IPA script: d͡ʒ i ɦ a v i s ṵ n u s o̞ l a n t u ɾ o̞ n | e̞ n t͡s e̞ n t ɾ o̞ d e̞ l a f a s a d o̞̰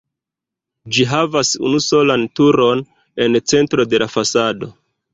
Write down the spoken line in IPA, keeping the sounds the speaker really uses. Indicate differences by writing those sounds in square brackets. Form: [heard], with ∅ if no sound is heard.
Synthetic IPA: d͡ʒ i ɦ a v [a] s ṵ n u s o̞ l a n t u ɾ o̞ n | e̞ n t͡s e̞ n t ɾ o̞ d e̞ l a f a s a d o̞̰